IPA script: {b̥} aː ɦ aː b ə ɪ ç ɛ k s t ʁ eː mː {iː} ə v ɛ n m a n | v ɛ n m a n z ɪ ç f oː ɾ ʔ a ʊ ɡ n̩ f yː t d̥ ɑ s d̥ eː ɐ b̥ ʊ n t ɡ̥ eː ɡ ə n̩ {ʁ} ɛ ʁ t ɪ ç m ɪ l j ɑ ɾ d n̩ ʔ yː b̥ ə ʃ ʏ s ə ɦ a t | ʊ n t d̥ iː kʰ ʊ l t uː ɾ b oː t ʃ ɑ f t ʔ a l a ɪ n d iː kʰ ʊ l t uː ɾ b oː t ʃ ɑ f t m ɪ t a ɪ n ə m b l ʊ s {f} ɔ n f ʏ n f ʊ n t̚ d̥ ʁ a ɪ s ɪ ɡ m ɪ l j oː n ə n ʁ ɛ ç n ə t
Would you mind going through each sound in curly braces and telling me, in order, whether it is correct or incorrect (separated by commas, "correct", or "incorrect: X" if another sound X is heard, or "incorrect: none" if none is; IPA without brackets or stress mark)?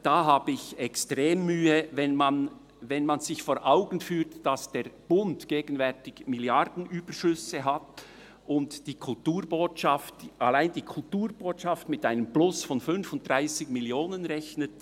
incorrect: d̥, incorrect: yː, incorrect: v, correct